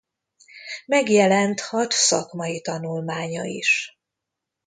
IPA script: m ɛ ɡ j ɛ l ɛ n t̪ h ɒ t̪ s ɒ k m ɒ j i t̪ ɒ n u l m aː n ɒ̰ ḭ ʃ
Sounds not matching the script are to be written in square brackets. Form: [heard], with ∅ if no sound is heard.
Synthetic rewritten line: m ɛ ɡ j ɛ l ɛ n t̪ h ɒ t̪ s ɒ k m ɒ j i t̪ ɒ n u l m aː [ɲ] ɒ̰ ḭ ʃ